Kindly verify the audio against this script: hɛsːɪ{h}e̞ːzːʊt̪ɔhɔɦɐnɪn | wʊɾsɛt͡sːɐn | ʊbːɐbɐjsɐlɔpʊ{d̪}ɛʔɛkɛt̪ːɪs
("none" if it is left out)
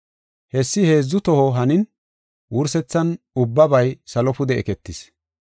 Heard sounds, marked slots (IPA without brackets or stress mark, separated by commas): h, d̪